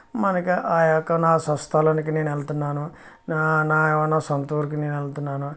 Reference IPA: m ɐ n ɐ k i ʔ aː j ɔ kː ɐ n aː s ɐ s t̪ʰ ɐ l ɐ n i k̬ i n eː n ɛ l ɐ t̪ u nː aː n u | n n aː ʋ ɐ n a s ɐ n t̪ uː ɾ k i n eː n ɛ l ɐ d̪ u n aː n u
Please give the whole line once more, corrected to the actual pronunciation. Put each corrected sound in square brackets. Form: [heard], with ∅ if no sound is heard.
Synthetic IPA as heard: m ɐ n ɐ k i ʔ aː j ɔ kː ɐ n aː s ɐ s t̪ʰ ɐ l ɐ n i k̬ i n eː n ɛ l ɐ t̪ u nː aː n u | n n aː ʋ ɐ n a s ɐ n t̪ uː ɾ k i n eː n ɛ l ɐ [t̪] u [nː] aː n u